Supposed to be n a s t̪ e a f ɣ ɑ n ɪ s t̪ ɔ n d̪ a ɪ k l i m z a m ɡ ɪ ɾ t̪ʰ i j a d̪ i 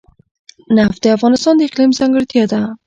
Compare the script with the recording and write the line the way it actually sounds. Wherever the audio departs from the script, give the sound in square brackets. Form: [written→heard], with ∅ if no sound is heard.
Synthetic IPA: n a [s→f] t̪ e a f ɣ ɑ n ɪ s t̪ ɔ n d̪ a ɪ [k→q] l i m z a [m→ŋ] ɡ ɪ ɾ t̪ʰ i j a d̪ [i→a]